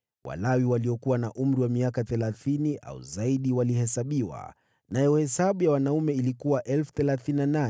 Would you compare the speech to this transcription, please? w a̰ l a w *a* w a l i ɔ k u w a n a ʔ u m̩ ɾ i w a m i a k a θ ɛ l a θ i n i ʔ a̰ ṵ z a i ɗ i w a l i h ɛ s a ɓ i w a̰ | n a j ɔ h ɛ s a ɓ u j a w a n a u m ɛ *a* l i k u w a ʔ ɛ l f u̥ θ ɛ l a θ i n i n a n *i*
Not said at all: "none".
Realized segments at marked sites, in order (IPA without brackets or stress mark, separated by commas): i, i, a